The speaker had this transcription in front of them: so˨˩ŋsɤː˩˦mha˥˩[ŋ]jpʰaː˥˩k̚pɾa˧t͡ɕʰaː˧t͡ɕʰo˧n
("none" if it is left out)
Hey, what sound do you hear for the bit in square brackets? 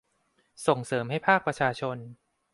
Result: none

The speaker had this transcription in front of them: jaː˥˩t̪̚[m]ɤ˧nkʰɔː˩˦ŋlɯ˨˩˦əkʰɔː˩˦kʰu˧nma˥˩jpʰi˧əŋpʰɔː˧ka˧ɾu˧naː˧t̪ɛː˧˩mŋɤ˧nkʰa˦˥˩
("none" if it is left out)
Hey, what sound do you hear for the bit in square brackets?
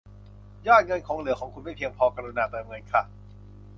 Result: ŋ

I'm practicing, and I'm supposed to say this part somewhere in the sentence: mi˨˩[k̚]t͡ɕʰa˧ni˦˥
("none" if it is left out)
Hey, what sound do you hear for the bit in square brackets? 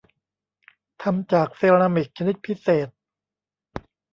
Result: k̚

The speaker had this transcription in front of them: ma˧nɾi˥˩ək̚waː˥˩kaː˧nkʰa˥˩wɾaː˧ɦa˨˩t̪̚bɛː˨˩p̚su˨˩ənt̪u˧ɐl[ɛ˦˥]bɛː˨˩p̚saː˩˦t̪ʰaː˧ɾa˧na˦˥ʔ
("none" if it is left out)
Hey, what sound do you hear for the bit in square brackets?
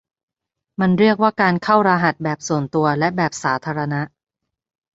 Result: ɛ˦˥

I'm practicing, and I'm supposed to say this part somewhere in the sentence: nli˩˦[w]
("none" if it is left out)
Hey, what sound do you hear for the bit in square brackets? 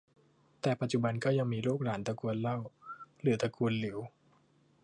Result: w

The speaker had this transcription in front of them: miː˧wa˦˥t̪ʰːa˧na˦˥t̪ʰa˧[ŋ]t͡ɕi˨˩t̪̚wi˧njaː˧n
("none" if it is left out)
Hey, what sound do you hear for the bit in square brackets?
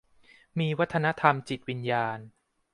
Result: m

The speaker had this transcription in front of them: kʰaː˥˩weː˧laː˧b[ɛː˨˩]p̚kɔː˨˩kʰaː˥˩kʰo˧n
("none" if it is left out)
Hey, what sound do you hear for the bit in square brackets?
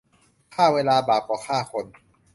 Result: aː˨˩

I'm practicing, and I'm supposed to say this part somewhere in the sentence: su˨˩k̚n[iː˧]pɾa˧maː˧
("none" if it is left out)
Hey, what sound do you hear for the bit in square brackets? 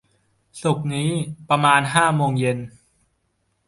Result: iː˦˥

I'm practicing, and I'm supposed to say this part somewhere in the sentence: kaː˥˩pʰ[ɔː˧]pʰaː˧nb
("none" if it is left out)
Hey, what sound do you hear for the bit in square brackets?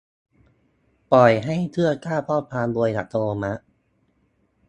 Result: ɔː˥˩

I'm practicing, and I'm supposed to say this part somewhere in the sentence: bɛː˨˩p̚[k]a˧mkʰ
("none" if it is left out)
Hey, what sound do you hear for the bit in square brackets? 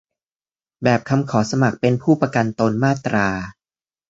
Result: kʰ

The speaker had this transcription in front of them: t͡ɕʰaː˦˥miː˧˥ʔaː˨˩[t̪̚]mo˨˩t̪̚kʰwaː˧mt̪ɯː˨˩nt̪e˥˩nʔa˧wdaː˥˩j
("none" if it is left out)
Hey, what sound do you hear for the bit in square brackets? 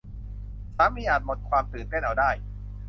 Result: t̪̚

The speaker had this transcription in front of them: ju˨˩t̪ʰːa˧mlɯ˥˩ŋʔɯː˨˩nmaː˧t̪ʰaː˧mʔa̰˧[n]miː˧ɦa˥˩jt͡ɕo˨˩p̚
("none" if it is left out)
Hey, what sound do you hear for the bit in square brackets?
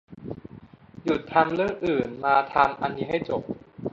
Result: n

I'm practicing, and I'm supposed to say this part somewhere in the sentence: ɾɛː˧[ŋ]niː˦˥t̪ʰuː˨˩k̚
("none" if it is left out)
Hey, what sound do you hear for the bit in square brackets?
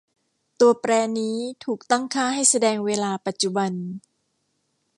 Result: none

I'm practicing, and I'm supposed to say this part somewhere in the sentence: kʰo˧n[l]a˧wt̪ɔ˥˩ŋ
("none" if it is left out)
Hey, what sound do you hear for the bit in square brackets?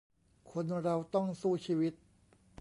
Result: ɾ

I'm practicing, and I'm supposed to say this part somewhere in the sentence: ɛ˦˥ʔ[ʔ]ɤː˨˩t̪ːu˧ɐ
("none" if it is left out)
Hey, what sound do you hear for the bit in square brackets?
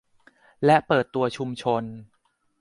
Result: p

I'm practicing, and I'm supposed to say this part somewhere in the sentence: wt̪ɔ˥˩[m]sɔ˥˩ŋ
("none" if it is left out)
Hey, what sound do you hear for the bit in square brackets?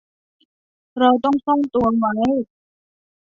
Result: ŋ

